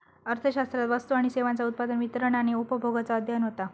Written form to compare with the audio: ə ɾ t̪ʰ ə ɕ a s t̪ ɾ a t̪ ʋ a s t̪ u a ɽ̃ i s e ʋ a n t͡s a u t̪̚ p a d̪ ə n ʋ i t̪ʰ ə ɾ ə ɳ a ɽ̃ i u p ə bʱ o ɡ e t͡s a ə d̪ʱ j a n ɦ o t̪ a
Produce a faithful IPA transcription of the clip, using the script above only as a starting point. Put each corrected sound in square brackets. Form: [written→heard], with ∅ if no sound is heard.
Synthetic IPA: ə ɾ t̪ʰ ə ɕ a s t̪ ɾ a t̪ ʋ [a→ə] s t̪ u a ɽ̃ i s e ʋ a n t͡s a u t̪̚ p a d̪ ə n ʋ i [t̪ʰ→t̪] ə ɾ ə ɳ a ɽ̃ i u p ə bʱ o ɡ [e→a] t͡s a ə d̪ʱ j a n ɦ o t̪ a